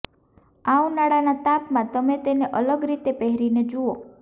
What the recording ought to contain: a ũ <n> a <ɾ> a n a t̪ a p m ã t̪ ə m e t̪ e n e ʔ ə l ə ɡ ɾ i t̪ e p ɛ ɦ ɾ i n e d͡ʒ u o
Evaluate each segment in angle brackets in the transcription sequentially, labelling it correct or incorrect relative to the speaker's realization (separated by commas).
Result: correct, incorrect